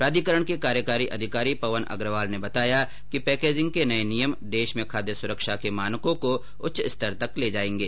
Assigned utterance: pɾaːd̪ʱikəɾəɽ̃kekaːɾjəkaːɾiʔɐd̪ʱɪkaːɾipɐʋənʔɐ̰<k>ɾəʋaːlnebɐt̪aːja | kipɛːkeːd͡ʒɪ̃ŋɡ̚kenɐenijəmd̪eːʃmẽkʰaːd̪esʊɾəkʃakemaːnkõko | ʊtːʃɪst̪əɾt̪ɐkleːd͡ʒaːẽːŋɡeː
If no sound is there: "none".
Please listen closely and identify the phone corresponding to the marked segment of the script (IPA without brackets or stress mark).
ɡ